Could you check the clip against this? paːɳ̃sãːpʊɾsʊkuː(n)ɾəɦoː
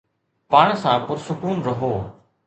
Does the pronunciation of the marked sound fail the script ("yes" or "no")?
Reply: no